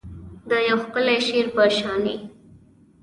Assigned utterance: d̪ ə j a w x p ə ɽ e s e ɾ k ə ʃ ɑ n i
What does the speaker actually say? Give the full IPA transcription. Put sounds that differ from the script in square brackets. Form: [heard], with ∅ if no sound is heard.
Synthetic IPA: d̪ ə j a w x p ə [l] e [ʃ] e ɾ [p] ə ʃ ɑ n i